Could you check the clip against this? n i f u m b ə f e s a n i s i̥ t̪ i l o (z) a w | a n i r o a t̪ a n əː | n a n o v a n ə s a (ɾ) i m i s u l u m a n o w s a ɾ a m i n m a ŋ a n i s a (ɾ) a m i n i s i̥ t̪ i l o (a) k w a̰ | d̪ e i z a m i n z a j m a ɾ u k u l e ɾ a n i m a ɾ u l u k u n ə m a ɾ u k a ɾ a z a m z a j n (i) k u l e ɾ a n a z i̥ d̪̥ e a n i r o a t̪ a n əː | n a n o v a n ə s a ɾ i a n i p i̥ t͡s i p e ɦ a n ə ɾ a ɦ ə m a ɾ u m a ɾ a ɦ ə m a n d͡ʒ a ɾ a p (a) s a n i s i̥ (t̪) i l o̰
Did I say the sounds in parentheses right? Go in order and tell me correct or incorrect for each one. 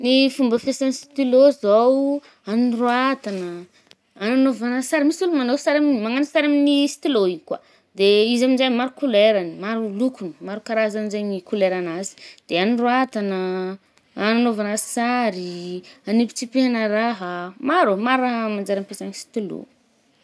correct, correct, correct, incorrect: i, correct, incorrect: e, correct

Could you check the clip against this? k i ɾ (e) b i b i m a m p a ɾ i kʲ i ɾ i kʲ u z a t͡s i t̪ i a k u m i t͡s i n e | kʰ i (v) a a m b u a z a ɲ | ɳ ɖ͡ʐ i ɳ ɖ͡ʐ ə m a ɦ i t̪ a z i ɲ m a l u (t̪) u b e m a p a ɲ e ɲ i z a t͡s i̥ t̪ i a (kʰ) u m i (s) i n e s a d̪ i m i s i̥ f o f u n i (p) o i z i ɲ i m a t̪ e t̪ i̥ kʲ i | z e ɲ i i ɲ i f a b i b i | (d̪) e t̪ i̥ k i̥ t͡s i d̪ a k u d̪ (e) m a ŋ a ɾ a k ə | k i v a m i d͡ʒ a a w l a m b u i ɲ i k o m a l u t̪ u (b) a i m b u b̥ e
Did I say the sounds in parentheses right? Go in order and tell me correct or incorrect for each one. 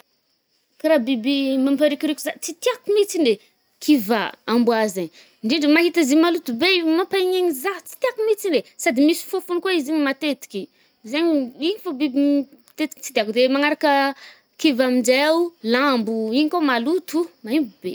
incorrect: a, correct, correct, incorrect: k, incorrect: t͡s, incorrect: k, incorrect: t̪, correct, incorrect: m

